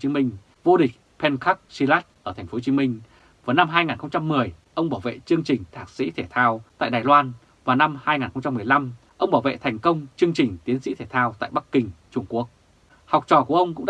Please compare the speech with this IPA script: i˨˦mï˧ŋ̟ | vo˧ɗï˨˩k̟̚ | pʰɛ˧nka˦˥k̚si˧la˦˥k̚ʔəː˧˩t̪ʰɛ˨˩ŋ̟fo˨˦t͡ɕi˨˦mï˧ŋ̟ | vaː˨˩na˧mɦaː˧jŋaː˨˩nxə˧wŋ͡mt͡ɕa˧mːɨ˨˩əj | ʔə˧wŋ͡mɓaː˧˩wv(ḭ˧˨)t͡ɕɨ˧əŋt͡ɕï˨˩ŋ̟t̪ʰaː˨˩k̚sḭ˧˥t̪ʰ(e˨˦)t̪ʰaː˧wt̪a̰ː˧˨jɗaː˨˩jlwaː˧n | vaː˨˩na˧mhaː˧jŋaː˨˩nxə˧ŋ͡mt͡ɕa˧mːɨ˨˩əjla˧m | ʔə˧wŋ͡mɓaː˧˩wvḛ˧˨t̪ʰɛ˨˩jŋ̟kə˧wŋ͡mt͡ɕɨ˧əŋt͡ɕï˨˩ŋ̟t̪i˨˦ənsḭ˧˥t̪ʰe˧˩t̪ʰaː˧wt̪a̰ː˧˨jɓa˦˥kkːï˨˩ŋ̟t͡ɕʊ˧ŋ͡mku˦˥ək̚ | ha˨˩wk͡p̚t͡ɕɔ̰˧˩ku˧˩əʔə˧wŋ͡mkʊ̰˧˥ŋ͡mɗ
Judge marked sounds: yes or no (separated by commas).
no, no